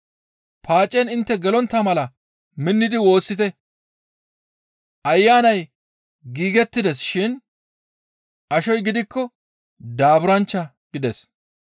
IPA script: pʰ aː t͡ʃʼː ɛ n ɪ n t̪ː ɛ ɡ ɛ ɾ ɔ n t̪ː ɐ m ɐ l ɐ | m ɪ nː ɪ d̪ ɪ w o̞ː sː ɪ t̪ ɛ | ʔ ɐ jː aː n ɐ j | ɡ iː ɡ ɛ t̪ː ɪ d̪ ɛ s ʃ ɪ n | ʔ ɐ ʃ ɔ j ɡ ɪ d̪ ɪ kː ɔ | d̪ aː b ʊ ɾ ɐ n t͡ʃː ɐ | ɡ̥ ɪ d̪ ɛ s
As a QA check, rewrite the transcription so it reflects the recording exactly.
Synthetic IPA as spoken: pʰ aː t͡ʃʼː ɛ n ɪ n t̪ː ɛ ɡ ɛ l ɔ n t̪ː ɐ m ɐ l ɐ | m ɪ nː ɪ d̪ ɪ w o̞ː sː ɪ t̪ ɛ | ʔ ɐ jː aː n ɐ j | ɡ iː ɡ ɛ t̪ː ɪ d̪ ɛ s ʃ ɪ n | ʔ ɐ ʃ ɔ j ɡ ɪ d̪ ɪ kː ɔ | d̪ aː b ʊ ɾ ɐ n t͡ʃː ɐ | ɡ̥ ɪ d̪ ɛ s

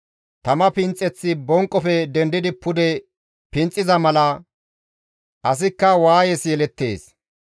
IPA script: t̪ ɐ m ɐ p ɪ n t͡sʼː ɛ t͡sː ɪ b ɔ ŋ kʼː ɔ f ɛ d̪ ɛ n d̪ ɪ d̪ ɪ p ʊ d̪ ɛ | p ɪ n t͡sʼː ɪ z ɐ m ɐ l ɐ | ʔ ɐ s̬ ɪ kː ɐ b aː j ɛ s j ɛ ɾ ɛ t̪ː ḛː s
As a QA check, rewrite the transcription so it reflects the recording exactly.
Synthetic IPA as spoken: t̪ ɐ m ɐ p ɪ n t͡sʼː ɛ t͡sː ɪ b ɔ ŋ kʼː ɔ f ɛ d̪ ɛ n d̪ ɪ d̪ ɪ p ʊ d̪ ɛ | p ɪ n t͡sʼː ɪ z ɐ m ɐ l ɐ | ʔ ɐ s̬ ɪ kː ɐ w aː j ɛ s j ɛ l ɛ t̪ː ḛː s

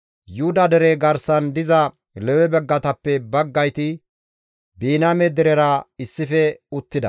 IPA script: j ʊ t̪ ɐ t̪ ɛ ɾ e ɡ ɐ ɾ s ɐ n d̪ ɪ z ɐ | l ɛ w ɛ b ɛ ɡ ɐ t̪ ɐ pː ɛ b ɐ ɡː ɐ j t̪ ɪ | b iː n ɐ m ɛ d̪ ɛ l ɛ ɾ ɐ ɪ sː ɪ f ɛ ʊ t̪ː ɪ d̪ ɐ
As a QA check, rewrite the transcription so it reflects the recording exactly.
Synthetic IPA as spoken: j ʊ d̪ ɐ d̪ ɛ ɾ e ɡ ɐ ɾ s ɐ n d̪ ɪ z ɐ | l ɛ w ɛ b ɛ ɡː ɐ t̪ ɐ pː ɛ b ɐ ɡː ɐ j t̪ ɪ | b iː n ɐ m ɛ d̪ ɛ ɾ ɛ ɾ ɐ ɪ sː ɪ f ɛ ʊ t̪ː ɪ d̪ ɐ

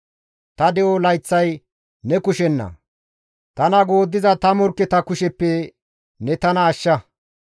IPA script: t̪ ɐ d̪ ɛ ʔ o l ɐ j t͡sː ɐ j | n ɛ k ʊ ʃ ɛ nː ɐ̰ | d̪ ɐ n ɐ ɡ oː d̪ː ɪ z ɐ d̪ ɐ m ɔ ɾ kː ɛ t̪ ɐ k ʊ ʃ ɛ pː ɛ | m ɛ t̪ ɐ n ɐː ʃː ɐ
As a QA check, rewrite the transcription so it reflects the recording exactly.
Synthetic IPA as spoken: t̪ ɐ d̪ ɛ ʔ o l ɐ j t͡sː ɐ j | n ɛ k ʊ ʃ ɛ nː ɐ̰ | t̪ ɐ n ɐ ɡ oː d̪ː ɪ z ɐ t̪ ɐ m ɔ ɾ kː ɛ t̪ ɐ k ʊ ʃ ɛ pː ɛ | n ɛ t̪ ɐ n ɐː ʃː ɐ

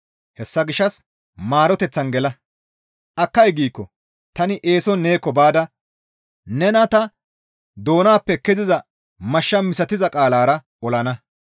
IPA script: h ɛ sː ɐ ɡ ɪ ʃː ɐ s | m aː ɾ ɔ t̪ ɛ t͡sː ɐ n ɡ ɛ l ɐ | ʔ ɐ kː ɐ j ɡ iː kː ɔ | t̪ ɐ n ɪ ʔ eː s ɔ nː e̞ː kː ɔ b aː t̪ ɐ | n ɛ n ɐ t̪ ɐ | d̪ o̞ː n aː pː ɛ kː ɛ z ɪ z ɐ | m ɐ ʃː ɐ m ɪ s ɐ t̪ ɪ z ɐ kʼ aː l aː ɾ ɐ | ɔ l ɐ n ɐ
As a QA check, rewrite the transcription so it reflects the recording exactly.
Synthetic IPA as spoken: h ɛ sː ɐ ɡ ɪ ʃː ɐ s | m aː ɾ ɔ t̪ ɛ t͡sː ɐ n ɡ ɛ l ɐ | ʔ ɐ kː ɐ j ɡ iː kː ɔ | t̪ ɐ n ɪ ʔ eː s ɔ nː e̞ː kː ɔ b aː d̪ ɐ | n ɛ n ɐ t̪ ɐ | d̪ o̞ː n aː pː ɛ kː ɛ z ɪ z ɐ | m ɐ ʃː ɐ m ɪ s ɐ t̪ ɪ z ɐ kʼ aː l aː ɾ ɐ | ɔ l ɐ n ɐ

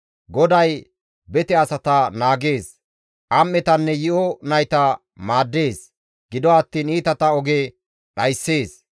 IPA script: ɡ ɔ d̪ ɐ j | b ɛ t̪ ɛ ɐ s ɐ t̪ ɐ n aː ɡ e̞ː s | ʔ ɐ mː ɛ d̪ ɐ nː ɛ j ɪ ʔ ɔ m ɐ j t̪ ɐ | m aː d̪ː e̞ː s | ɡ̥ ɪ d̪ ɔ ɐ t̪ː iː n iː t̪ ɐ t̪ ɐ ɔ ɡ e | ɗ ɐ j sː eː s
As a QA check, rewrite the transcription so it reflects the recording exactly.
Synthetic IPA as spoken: ɡ ɔ d̪ ɐ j | b ɛ t̪ ɛ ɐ s ɐ t̪ ɐ n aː ɡ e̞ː s | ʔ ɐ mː ɛ t̪ ɐ nː ɛ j ɪ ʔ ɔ n ɐ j t̪ ɐ | m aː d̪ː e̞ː s | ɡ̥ ɪ d̪ ɔ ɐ t̪ː iː n iː t̪ ɐ t̪ ɐ ɔ ɡ e | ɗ ɐ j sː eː s

